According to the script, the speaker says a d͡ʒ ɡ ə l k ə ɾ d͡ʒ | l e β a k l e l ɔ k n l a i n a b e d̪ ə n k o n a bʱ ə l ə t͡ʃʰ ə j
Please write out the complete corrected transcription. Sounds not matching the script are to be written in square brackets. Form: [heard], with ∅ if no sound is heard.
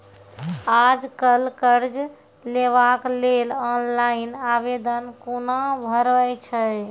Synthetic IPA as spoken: a d͡ʒ [k] ə l k ə ɾ d͡ʒ | l e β a k l e l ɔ [∅] n l a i n a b e d̪ ə n k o n a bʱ ə [ɾ] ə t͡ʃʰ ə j

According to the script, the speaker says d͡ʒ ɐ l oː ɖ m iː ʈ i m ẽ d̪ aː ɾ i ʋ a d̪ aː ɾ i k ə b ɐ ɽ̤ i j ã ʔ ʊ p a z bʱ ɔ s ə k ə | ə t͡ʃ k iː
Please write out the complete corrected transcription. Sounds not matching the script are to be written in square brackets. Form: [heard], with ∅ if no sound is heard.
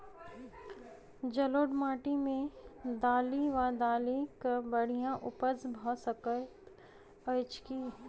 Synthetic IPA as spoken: d͡ʒ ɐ l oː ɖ m [aː] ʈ i m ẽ d̪ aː [l] i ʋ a d̪ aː [l] i k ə b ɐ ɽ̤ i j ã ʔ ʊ p [ə] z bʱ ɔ s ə k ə | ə t͡ʃ k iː

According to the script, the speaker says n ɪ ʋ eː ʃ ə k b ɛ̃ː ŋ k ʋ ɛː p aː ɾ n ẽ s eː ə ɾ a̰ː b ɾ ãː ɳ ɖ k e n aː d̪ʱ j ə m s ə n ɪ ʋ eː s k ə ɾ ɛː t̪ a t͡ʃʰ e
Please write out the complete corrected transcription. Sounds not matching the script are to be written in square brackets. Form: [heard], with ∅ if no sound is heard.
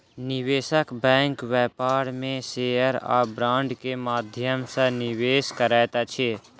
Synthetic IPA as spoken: n ɪ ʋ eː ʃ ə k b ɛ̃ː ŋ k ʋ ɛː p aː ɾ [m] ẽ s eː ə ɾ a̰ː b ɾ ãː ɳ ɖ k e [m] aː d̪ʱ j ə m s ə n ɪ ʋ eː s k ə ɾ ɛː t̪ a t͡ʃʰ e

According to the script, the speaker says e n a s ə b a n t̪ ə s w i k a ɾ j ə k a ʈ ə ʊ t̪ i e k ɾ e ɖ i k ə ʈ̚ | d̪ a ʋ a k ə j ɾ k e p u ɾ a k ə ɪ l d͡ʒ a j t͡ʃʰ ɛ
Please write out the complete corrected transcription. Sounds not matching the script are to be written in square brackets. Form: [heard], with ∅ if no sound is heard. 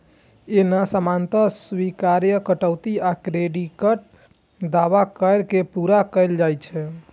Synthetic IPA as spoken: e n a s ə [m] a n t̪ ə s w i k a ɾ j ə k [ə] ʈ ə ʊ t̪ i [a] k ɾ e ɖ i k ə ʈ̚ | d̪ a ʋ a k ə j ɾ k e p u ɾ a k ə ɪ l d͡ʒ a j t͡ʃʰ ɛ

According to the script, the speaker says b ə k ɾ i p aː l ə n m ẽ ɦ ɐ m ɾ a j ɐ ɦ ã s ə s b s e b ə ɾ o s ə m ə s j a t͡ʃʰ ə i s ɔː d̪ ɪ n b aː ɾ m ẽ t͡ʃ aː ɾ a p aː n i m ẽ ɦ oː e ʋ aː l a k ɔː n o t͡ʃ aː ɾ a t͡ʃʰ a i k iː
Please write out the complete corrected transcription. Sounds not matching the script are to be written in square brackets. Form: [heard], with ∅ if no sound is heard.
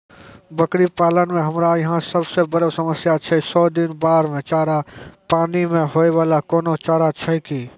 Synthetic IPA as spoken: b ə k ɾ i p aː l ə n m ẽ ɦ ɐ m ɾ a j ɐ ɦ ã s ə [∅] b s e b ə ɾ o s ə m ə s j a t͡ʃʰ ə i s ɔː d̪ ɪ n b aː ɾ m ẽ t͡ʃ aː ɾ a p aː n i m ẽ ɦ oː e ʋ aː l a k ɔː n o t͡ʃ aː ɾ a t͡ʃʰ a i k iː

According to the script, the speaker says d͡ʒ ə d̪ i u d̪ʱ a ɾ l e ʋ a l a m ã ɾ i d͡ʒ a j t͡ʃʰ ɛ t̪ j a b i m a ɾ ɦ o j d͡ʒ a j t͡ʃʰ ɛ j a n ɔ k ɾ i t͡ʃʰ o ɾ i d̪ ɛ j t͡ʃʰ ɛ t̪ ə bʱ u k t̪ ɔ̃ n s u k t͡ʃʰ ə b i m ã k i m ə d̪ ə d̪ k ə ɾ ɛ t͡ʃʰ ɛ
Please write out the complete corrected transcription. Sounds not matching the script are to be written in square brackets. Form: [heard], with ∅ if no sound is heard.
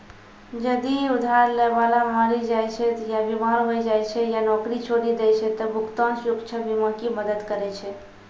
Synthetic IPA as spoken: d͡ʒ ə d̪ i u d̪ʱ a ɾ l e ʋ a l a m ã ɾ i d͡ʒ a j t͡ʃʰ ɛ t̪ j a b i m a ɾ ɦ o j d͡ʒ a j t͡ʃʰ ɛ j a n ɔ k ɾ i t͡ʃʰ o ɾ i d̪ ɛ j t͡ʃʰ ɛ t̪ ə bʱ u k t̪ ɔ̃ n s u k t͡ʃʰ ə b i m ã k i m ə d̪ ə d̪ k ə ɾ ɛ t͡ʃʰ ɛ

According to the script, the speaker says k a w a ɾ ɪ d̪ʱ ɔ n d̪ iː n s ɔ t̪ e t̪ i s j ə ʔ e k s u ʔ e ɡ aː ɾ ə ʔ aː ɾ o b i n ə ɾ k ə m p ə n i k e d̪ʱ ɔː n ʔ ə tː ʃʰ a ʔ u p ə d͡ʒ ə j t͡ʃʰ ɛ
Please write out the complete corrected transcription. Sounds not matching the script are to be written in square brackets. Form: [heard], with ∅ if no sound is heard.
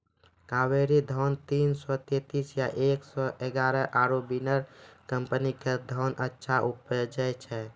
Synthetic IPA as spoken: k a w [e] ɾ [i] d̪ʱ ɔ n [t̪] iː n s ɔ t̪ e t̪ i s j [a] ʔ e k s [ɔ] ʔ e ɡ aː ɾ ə ʔ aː ɾ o b i n ə ɾ k ə m p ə n i k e d̪ʱ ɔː n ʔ ə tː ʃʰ a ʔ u p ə d͡ʒ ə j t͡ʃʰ ɛ

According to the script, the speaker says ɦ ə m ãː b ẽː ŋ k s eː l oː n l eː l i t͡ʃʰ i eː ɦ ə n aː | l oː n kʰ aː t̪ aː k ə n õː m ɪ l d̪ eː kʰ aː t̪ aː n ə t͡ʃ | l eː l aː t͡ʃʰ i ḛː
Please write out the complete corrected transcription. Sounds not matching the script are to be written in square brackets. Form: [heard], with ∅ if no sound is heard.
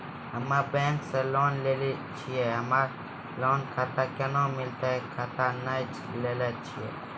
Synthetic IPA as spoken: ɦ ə m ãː b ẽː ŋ k s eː l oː n l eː l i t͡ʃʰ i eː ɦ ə [m] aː | l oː n kʰ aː t̪ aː k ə n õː m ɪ l [t̪] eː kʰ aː t̪ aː n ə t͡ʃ | l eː l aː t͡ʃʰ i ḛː

